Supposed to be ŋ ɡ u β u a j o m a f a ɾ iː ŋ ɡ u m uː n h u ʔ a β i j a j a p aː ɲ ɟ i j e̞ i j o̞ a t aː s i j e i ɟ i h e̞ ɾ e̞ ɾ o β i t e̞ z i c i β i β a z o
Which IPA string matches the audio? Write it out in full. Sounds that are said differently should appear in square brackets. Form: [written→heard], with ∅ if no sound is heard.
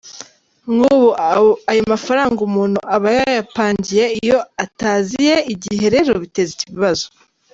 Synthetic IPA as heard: ŋ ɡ u β u a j o m a f a ɾ [iː→aː] ŋ ɡ u m uː n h u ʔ a β [i→a] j a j a p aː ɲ ɟ i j e̞ i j o̞ a t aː [s→z] i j e i ɟ i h e̞ ɾ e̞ ɾ o β i t e̞ z i c i β i β a z o